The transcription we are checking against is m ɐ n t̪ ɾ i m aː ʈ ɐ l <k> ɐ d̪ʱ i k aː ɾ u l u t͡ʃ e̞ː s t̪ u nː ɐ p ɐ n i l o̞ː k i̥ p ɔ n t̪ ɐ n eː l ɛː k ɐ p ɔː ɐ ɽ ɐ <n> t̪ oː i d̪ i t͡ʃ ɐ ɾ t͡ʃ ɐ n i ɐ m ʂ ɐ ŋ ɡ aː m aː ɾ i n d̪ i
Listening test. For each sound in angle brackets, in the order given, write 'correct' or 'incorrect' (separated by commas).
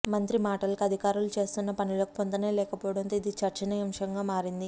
correct, correct